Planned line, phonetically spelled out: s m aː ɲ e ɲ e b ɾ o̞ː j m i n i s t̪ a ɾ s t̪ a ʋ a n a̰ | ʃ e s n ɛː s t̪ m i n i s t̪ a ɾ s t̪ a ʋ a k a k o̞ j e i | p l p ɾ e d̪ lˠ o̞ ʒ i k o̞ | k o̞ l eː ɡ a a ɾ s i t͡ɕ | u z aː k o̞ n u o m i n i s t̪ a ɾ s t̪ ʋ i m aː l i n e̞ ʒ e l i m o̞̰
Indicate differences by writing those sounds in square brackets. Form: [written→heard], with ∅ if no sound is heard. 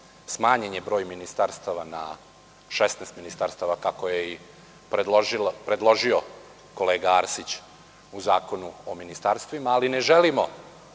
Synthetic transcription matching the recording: s m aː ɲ e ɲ e b ɾ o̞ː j m i n i s t̪ a ɾ s t̪ a ʋ a n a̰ | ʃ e s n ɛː s t̪ m i n i s t̪ a ɾ s t̪ a ʋ a k a k o̞ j e i | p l p ɾ e d̪ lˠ o̞ ʒ i [k→∅] o̞ | k o̞ l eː ɡ a a ɾ s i t͡ɕ | u z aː k o̞ n u o m i n i s t̪ a ɾ s t̪ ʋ i m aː l i n e̞ ʒ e l i m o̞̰